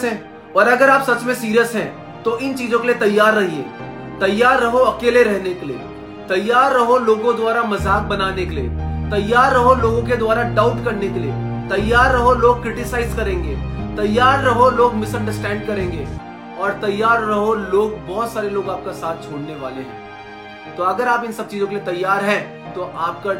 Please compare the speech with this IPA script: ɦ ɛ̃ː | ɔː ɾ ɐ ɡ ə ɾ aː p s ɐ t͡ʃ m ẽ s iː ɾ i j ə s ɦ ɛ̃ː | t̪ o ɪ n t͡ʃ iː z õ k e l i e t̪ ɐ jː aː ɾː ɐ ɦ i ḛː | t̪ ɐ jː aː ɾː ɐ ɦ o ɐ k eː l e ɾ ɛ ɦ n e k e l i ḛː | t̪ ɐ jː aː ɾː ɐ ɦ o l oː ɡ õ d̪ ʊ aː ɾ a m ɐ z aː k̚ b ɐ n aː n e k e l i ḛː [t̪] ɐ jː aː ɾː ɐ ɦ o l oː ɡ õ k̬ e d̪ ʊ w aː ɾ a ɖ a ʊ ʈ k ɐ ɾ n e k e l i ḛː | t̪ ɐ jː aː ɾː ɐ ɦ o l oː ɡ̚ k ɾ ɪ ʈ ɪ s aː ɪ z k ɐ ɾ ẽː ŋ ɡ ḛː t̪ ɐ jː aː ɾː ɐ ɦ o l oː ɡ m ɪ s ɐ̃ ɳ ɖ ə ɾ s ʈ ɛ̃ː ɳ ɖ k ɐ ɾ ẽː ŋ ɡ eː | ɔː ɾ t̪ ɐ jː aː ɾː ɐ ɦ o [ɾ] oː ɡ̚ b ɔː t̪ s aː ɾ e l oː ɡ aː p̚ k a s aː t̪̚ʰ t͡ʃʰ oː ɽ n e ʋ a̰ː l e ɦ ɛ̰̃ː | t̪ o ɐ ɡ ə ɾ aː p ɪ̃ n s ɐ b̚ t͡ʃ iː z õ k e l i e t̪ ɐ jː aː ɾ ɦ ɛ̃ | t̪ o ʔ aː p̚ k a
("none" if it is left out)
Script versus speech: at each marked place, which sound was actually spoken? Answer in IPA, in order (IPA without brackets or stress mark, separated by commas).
t̪, l